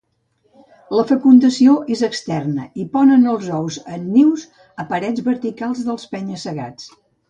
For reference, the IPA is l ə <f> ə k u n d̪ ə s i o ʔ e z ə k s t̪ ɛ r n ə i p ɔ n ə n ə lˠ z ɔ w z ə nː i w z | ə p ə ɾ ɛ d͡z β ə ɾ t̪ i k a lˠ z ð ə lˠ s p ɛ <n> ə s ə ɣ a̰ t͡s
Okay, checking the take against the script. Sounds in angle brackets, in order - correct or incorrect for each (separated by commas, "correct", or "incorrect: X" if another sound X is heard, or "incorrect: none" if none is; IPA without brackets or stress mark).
correct, incorrect: ɲ